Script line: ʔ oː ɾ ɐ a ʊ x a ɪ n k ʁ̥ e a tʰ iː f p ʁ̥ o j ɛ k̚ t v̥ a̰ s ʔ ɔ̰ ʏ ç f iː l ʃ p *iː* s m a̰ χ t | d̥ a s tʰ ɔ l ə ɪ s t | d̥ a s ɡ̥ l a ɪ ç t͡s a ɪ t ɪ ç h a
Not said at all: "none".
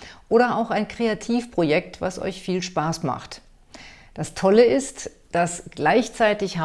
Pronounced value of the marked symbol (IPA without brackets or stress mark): aː